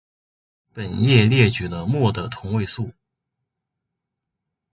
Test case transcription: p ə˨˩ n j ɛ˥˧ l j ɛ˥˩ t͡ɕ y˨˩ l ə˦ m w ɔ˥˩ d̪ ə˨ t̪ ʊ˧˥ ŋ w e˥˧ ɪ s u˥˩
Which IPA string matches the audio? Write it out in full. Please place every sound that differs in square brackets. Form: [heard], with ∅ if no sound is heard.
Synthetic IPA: p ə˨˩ n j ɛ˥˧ l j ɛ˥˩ t͡ɕ y˨˩ l ə˦ m w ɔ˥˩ d̪ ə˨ [t̪ʰ] ʊ˧˥ ŋ w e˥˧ ɪ s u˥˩